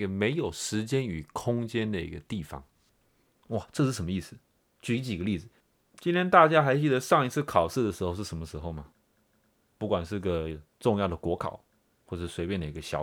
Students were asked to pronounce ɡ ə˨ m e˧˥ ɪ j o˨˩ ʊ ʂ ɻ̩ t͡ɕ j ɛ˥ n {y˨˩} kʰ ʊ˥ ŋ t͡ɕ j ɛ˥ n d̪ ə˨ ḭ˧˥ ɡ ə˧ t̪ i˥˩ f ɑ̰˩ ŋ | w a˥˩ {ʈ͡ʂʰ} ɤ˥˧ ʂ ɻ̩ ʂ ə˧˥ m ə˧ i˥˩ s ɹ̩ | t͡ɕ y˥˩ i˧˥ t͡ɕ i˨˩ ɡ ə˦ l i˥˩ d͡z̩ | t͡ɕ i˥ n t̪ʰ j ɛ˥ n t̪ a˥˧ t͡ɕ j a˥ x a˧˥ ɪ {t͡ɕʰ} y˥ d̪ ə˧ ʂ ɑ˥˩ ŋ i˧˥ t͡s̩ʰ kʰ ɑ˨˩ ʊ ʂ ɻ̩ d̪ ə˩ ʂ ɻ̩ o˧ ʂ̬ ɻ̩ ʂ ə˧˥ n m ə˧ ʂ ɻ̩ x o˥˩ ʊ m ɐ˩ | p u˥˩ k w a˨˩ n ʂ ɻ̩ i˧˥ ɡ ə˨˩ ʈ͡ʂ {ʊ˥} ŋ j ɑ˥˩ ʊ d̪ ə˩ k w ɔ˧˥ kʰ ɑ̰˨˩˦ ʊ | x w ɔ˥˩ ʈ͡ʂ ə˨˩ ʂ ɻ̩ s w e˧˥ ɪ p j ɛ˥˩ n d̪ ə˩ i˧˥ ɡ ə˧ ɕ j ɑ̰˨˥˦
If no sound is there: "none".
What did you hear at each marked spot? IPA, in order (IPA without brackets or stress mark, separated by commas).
y˨˩, ʈ͡ʂ, t͡ɕ, ʊ˥˧